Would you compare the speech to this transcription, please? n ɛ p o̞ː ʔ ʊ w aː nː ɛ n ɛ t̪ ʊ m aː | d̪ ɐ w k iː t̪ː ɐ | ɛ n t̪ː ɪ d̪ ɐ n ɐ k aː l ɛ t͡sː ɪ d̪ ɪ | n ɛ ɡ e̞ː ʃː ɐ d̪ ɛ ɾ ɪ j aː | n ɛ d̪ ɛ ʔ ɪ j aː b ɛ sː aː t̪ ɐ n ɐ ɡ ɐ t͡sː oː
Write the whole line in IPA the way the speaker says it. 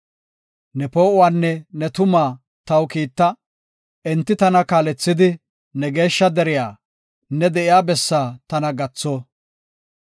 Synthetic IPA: n ɛ p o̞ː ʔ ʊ w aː nː ɛ n ɛ t̪ ʊ m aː | t̪ ɐ w k iː t̪ː ɐ | ɛ n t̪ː ɪ t̪ ɐ n ɐ k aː l ɛ t͡sː ɪ d̪ ɪ | n ɛ ɡ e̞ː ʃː ɐ d̪ ɛ ɾ ɪ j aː | n ɛ d̪ ɛ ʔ ɪ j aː b ɛ sː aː t̪ ɐ n ɐ ɡ ɐ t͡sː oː

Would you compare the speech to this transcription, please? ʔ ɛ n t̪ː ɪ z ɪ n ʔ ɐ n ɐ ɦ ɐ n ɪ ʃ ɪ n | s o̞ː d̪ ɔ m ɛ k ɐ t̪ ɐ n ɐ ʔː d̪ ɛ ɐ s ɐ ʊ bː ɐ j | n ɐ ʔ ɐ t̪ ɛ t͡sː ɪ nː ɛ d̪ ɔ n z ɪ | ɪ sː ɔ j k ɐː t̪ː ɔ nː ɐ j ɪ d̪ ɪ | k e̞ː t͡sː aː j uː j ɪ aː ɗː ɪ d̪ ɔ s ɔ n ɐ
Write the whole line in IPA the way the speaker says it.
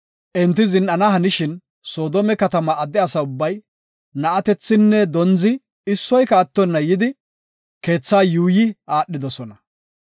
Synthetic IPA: ʔ ɛ n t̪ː ɪ z ɪ n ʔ ɐ n ɐ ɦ ɐ n ɪ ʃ ɪ n | s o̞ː d̪ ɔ m ɛ k ɐ t̪ ɐ m ɐ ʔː d̪ ɛ ɐ s ɐ ʊ bː ɐ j | n ɐ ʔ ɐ t̪ ɛ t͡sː ɪ nː ɛ d̪ ɔ n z ɪ | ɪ sː ɔ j k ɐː t̪ː ɔ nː ɐ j ɪ d̪ ɪ | k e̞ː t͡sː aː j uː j ɪ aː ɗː ɪ d̪ ɔ s ɔ n ɐ

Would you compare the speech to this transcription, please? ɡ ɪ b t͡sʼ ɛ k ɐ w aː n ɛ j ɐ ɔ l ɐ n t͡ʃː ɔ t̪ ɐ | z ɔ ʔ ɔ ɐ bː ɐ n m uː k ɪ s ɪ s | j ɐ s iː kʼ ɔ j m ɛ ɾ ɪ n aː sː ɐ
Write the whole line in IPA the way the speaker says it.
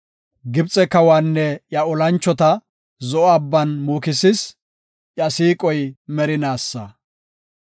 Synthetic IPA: ɡ ɪ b t͡sʼ ɛ k ɐ w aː nː ɛ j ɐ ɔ l ɐ n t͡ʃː ɔ t̪ ɐ | z ɔ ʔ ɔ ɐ bː ɐ n m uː k ɪ s ɪ s | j ɐ s iː kʼ ɔ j m ɛ ɾ ɪ n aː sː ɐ

